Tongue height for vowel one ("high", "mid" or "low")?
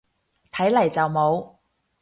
low